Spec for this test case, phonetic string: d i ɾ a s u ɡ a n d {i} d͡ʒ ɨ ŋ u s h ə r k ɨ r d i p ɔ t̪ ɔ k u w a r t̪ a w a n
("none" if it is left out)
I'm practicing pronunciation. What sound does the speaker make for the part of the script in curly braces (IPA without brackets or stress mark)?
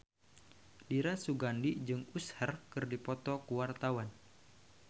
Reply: i